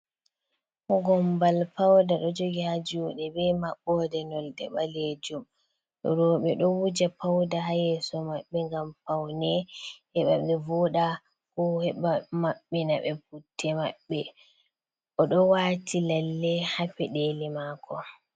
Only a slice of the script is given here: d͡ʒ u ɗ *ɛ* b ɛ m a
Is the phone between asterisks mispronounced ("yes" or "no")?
no